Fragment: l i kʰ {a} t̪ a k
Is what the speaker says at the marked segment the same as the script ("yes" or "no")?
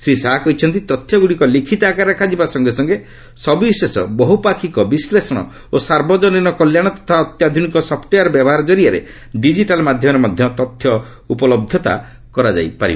no